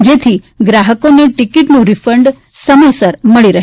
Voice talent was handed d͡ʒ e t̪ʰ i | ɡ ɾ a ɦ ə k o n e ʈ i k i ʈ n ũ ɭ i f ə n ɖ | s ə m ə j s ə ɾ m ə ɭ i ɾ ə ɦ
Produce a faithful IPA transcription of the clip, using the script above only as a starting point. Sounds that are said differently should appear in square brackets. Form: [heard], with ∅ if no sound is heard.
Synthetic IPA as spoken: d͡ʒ e t̪ʰ i | ɡ ɾ a ɦ ə k o n e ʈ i k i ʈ n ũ [ɾ] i f ə [ɳ] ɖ | s ə m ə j s ə ɾ m ə ɭ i ɾ ə ɦ